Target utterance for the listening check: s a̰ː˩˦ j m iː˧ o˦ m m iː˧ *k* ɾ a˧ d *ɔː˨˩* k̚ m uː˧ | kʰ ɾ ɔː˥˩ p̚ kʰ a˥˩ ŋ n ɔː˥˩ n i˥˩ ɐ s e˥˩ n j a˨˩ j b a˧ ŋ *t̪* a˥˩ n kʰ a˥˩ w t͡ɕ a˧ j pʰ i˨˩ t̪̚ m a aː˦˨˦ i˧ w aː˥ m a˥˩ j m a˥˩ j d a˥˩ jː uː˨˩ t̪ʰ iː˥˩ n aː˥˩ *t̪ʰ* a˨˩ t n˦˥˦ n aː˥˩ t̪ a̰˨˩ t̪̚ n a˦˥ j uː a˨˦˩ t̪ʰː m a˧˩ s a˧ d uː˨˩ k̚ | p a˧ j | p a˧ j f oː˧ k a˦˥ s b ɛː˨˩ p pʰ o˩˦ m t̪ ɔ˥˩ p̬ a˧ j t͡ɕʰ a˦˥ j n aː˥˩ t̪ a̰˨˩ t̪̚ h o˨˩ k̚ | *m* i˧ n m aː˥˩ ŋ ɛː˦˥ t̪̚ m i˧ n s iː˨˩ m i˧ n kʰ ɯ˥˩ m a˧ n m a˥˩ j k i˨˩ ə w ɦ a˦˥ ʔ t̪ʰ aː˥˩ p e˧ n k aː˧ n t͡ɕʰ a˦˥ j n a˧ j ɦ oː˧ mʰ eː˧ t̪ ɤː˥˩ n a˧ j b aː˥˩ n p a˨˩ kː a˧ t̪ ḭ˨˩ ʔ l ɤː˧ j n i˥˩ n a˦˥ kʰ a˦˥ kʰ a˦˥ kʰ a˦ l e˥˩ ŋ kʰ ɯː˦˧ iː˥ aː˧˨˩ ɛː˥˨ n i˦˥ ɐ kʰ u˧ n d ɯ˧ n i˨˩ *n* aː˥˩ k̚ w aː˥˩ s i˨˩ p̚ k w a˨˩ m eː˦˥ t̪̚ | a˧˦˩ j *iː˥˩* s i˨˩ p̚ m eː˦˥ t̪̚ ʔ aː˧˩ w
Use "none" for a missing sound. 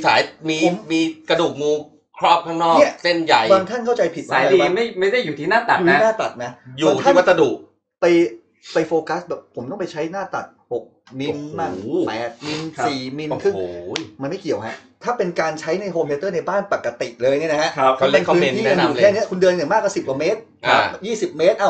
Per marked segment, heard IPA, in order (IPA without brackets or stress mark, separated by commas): k, uː˨˩, t̪ʰ, t̪, m, m, iː˥˩